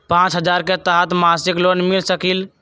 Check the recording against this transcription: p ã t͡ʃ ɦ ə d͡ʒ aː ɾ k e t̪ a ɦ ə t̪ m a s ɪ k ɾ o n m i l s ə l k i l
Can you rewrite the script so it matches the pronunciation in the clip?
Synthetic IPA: p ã t͡ʃ ɦ ə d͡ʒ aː ɾ k e t̪ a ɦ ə t̪ m a s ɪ k l o n m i l s ə k i l